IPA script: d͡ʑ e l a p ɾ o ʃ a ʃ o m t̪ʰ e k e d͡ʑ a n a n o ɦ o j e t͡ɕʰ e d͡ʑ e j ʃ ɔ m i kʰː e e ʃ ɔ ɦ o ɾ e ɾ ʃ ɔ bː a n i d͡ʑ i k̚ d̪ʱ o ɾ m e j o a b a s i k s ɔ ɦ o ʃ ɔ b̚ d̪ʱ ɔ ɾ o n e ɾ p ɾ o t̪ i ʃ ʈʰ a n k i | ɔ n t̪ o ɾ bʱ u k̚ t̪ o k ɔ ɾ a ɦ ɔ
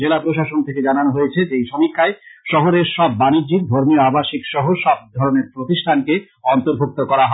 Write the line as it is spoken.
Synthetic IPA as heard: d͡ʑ e l a p ɾ o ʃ a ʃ o n t̪ʰ e k e d͡ʑ a n a n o ɦ o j e t͡ɕʰ e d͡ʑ e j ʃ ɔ m i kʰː a e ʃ ɔ ɦ o ɾ e ɾ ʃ ɔ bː a n i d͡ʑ i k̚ d̪ʱ o ɾ m i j o a b a ʃ i k ʃ ɔ ɦ o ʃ ɔ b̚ d̪ʱ ɔ ɾ o n e ɾ p ɾ o t̪ i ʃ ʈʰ a n k e | ɔ n t̪ o ɾ bʱ u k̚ t̪ o k ɔ ɾ a ɦ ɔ